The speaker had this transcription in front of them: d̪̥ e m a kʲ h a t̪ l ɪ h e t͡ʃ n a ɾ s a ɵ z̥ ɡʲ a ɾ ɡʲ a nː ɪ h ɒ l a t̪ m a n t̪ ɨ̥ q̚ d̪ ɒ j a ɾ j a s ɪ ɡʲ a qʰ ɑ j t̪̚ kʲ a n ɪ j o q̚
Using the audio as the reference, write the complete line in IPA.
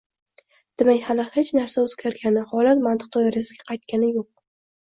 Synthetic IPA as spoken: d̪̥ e m a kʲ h a l ɪ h e t͡ʃ n a ɾ s a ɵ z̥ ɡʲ a ɾ ɡʲ a n ɪ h ɒ l a t̪ m a n t̪ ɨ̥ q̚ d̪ ɒ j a ɾ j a s ɪ ɡʲ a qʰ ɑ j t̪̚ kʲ a n ɪ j o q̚